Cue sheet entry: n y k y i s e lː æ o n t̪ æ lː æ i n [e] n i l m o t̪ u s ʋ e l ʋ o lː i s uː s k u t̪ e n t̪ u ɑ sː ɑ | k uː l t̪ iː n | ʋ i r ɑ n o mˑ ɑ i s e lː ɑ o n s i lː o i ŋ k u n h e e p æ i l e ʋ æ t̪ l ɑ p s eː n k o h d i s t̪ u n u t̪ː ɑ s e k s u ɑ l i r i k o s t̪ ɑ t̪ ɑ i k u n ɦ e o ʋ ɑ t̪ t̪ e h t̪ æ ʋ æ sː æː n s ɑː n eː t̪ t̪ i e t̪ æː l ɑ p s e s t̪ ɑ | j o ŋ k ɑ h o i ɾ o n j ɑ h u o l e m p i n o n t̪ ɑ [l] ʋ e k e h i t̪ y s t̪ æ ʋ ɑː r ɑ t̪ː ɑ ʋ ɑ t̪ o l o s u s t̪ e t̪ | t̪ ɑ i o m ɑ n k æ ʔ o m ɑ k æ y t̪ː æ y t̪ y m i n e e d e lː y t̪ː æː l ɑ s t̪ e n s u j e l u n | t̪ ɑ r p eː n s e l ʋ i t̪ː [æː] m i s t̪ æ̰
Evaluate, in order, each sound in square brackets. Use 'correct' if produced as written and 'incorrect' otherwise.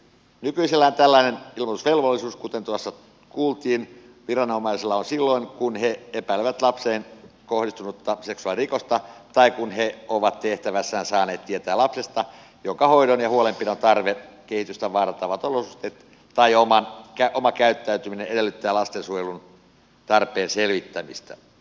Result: correct, incorrect: r, incorrect: æ

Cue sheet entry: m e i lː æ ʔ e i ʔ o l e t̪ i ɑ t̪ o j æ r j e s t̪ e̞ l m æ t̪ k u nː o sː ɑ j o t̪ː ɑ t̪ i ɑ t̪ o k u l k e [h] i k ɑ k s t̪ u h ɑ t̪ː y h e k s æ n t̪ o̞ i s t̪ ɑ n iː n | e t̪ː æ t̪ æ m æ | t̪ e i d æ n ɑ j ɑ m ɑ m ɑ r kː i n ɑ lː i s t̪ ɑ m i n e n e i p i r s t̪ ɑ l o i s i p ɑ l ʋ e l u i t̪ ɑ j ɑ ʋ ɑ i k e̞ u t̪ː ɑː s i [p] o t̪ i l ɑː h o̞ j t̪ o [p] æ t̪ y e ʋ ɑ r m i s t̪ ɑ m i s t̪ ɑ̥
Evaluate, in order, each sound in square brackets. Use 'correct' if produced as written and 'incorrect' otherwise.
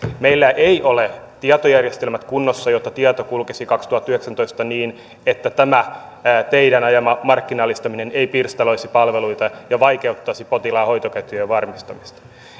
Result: incorrect: s, correct, incorrect: k

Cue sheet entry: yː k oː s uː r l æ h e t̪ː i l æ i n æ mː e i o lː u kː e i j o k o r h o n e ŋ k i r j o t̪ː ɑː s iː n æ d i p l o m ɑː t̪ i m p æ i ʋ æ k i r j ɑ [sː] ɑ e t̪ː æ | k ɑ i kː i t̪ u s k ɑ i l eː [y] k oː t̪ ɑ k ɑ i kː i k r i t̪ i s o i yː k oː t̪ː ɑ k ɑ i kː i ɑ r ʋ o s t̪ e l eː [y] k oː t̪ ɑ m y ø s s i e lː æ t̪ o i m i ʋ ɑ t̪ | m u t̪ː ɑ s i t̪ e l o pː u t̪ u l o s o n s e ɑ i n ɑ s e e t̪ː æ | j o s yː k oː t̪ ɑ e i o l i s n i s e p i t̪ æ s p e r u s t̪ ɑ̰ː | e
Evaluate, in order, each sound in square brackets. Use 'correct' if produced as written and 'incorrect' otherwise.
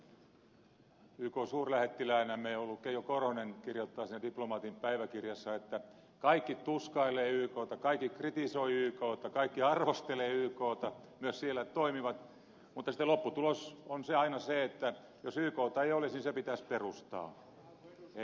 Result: correct, incorrect: yː, incorrect: yː

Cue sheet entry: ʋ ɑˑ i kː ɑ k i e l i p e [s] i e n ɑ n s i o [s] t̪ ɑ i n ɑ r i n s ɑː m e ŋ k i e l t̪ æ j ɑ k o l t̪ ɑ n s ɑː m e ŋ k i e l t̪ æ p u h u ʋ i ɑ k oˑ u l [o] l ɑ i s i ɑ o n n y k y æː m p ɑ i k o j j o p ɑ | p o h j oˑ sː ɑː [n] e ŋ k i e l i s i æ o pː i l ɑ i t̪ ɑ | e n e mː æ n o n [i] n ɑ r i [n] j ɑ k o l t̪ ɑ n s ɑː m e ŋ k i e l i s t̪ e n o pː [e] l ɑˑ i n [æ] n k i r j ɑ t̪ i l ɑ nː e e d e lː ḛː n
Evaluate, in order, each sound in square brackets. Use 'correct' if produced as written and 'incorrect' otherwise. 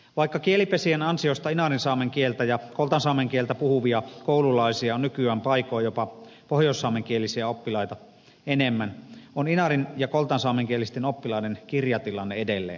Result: correct, correct, incorrect: u, incorrect: m, correct, correct, incorrect: i, incorrect: e

